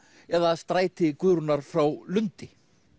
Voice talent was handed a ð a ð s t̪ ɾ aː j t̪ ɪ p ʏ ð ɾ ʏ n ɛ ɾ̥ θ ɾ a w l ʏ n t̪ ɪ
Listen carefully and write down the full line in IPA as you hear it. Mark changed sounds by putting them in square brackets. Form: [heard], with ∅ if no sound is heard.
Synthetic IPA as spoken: [ɛ] ð a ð s t̪ ɾ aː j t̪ ɪ [k] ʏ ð ɾ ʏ n [a] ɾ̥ [f] ɾ a w l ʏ n t̪ ɪ